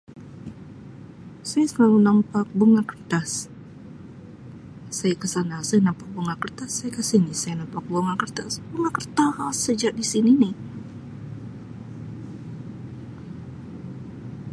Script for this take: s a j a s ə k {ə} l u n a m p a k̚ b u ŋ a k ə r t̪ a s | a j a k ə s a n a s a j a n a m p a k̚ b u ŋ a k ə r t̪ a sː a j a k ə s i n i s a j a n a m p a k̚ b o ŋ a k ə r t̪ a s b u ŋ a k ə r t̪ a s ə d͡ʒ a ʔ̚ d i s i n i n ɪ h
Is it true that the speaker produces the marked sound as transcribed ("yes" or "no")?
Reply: no